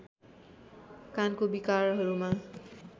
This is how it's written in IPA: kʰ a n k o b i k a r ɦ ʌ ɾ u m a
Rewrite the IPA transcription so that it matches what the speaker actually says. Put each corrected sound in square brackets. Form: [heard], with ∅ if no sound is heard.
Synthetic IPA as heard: [k] a n k o b i k a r ɦ ʌ ɾ u m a